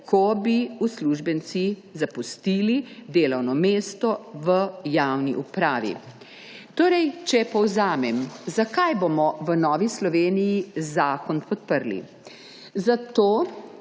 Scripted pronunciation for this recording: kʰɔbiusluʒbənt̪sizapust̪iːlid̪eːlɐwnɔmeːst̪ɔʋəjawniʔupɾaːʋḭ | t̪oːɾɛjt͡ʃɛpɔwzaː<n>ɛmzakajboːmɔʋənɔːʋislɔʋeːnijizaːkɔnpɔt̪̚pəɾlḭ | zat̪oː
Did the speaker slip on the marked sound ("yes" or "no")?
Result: yes